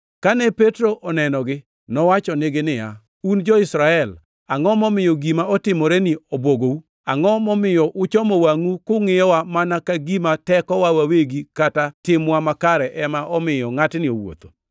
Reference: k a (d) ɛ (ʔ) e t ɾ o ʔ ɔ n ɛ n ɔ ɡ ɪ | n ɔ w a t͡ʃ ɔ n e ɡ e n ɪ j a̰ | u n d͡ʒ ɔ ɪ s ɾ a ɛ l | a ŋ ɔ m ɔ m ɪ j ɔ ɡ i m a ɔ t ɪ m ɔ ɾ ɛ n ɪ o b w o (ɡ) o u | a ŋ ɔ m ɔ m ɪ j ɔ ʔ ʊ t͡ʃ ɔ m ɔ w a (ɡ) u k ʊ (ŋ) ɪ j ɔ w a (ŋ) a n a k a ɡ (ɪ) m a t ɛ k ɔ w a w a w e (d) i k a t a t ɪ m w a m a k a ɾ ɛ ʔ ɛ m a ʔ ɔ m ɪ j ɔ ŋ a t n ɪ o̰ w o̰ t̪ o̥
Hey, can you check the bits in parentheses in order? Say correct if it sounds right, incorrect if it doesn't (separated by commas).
incorrect, incorrect, correct, incorrect, correct, incorrect, incorrect, incorrect